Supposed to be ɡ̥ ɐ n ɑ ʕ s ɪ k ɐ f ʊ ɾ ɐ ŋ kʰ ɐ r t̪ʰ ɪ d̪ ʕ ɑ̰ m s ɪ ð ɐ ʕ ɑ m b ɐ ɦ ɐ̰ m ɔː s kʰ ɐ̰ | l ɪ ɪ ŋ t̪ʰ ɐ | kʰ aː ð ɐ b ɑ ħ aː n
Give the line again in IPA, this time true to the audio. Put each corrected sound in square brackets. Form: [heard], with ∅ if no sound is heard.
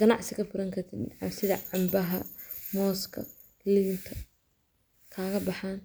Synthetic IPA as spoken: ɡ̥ ɐ n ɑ ʕ s ɪ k ɐ f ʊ ɾ ɐ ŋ kʰ ɐ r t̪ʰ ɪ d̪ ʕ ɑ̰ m s ɪ ð ɐ ʕ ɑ m b ɐ ɦ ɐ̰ m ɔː s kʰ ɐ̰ | l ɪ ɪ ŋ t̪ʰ ɐ | kʰ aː [ɣ] ɐ b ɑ ħ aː n